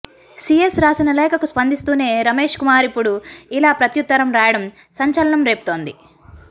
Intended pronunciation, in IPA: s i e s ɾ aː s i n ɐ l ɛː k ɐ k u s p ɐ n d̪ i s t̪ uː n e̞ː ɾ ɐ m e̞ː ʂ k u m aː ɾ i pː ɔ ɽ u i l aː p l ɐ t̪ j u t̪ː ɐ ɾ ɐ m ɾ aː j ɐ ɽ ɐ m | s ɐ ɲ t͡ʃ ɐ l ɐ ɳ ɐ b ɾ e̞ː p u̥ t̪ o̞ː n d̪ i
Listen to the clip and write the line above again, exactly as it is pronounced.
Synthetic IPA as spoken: s i e s ɾ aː s i n ɐ l ɛː k ɐ k u s p ɐ n d̪ i s t̪ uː n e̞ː ɾ ɐ m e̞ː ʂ k u m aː ɾ i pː u ɽ u i l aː p ɾ ɐ t̪ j u t̪ː ɐ ɾ ɐ m ɾ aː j ɐ ɽ ɐ m | s ɐ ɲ t͡ʃ ɐ l ɐ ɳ ɐ m ɾ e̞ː p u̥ t̪ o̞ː n d̪ i